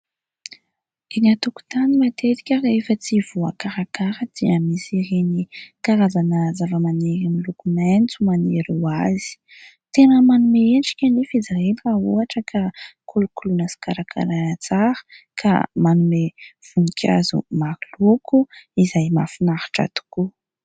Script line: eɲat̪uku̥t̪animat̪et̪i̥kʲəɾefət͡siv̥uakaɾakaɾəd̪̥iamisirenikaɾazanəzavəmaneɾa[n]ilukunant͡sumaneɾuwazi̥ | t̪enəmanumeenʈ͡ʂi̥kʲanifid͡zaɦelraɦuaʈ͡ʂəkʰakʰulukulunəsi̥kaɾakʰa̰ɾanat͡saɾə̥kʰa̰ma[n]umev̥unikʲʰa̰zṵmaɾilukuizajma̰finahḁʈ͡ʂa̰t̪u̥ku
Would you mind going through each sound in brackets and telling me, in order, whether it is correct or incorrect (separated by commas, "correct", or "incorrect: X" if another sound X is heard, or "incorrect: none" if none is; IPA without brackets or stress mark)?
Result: incorrect: m, correct